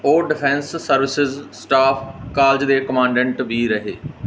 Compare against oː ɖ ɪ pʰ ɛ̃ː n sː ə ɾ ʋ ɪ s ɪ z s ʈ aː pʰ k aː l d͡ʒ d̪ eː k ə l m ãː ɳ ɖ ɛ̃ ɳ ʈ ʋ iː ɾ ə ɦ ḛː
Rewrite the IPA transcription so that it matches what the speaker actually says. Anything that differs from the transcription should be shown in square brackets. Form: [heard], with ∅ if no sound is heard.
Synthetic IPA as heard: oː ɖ ɪ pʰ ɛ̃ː n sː ə ɾ ʋ ɪ s ɪ z s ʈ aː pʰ k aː l d͡ʒ d̪ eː k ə [∅] m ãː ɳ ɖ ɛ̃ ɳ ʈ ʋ iː ɾ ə ɦ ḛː